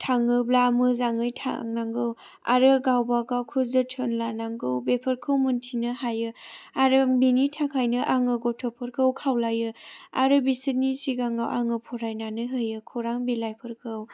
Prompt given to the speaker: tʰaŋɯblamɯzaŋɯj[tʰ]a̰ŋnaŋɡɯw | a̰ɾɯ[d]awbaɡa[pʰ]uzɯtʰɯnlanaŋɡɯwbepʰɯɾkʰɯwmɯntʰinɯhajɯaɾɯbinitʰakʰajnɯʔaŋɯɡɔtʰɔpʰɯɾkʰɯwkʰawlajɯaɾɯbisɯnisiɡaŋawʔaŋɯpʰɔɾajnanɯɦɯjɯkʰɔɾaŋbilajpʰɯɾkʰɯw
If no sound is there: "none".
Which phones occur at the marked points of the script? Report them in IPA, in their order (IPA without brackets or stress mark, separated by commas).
tʰ, ɡ, kʰ